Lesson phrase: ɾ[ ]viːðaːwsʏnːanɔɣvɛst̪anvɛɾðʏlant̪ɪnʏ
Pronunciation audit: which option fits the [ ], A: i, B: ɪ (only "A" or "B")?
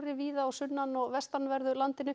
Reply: B